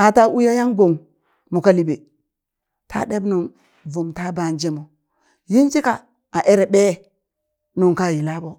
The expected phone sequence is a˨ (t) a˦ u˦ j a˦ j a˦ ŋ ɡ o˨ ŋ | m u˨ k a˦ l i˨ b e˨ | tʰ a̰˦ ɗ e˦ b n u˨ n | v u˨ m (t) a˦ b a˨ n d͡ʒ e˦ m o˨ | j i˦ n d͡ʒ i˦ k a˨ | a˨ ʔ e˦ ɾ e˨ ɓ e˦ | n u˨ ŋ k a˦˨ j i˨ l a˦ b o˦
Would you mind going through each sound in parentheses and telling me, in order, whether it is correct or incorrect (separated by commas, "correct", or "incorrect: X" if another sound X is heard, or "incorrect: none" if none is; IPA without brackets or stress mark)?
correct, correct